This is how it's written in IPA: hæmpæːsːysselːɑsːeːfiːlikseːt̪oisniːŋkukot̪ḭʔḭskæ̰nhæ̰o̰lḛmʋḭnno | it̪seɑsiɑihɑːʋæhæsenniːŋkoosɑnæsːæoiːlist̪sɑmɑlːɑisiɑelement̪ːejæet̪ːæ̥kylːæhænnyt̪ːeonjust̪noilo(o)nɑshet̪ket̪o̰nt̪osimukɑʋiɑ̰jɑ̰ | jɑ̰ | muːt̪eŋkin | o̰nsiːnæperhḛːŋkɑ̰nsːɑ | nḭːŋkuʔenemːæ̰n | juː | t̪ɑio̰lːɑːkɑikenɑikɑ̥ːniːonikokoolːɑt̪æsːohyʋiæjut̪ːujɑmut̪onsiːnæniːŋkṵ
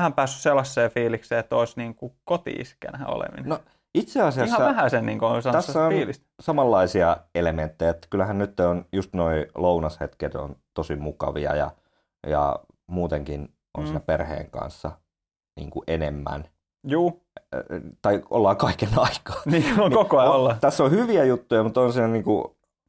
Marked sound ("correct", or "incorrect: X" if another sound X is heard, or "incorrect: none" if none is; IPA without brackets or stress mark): incorrect: u